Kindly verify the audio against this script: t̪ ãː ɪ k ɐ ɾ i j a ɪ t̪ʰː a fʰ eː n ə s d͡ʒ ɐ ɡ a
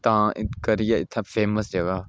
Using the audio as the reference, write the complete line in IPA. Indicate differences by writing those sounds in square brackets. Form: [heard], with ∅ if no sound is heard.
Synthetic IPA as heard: t̪ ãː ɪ k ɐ ɾ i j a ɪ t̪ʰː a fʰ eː [m] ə s d͡ʒ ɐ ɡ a